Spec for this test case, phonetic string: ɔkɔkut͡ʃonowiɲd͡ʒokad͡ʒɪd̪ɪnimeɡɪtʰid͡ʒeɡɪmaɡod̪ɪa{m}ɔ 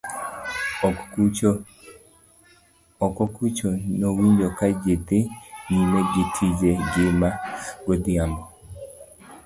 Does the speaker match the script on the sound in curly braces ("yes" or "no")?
yes